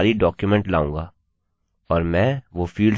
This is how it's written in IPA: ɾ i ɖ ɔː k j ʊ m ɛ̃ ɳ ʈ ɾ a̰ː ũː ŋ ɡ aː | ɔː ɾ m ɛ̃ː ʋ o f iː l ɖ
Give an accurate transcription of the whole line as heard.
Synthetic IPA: ɾ i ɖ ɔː k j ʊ m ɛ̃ ɳ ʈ l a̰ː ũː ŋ ɡ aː | ɔː ɾ m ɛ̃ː ʋ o f iː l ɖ